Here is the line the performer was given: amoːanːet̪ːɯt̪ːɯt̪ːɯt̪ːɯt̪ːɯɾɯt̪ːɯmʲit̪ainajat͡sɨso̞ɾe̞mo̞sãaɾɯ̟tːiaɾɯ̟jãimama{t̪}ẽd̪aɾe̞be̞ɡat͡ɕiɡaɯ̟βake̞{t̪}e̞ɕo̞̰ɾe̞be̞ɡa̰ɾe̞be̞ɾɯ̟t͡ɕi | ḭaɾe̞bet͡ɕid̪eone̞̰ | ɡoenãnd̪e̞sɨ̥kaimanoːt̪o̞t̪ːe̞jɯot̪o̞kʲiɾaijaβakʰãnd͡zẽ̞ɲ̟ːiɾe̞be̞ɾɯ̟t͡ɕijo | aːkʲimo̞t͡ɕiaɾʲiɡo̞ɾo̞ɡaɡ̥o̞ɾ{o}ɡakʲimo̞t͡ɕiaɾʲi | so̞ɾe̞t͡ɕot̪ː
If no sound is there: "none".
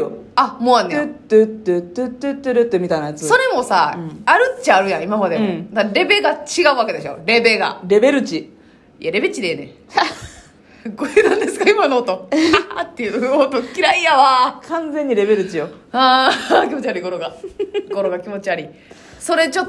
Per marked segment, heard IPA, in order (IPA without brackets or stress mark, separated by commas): d̪, d̪, o